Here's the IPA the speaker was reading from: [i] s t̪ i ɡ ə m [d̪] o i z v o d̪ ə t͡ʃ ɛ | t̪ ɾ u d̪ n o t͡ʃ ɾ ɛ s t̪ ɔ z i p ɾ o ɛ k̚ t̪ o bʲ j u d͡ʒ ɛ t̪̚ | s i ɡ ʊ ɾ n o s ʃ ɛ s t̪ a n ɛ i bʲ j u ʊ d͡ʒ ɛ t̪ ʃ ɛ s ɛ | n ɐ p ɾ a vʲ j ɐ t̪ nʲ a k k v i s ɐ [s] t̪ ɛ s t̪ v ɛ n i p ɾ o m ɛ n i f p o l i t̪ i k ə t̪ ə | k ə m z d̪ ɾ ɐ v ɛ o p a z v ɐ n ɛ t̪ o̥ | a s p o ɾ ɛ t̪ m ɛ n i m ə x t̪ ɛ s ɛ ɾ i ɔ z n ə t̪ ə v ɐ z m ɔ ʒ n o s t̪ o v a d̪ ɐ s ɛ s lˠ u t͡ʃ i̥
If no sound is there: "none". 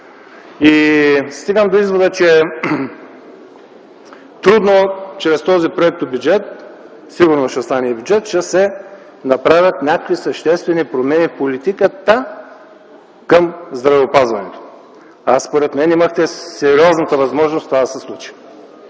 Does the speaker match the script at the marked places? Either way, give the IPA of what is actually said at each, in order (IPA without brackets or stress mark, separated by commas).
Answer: i, d̪, ʃ